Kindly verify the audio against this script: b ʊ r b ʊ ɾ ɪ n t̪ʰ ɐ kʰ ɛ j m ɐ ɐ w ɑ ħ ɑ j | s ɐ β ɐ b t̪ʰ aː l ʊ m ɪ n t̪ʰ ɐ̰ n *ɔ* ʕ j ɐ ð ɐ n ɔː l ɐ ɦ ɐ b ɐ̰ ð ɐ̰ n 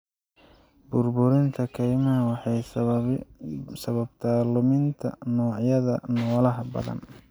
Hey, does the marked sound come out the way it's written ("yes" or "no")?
no